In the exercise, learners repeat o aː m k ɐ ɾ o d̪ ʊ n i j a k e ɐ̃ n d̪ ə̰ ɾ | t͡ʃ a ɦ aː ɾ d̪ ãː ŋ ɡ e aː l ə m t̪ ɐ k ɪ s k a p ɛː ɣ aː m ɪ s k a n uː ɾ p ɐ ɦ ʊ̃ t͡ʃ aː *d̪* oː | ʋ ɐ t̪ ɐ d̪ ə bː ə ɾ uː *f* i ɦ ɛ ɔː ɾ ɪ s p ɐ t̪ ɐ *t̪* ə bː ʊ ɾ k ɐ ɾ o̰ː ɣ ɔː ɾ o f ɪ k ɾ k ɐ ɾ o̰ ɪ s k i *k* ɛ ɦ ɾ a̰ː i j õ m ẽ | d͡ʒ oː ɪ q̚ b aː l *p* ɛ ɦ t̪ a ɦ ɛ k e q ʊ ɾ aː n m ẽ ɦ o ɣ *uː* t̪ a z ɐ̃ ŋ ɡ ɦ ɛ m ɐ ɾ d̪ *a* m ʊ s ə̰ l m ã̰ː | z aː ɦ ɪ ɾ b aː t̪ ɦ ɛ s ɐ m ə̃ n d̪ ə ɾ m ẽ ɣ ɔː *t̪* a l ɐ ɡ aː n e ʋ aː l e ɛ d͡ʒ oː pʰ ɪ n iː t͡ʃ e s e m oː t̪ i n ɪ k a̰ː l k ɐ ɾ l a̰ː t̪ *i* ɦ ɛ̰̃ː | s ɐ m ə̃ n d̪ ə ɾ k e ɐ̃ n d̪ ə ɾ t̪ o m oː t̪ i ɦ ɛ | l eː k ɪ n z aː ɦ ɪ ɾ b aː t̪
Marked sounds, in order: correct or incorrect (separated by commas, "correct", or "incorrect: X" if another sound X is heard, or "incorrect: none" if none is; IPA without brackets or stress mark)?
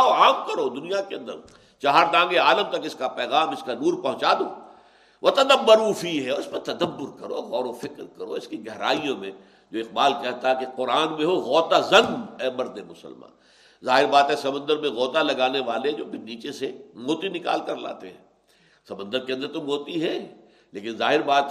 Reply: correct, correct, incorrect: d̪, incorrect: ɡ, incorrect: k, incorrect: ɔː, incorrect: e, correct, incorrect: e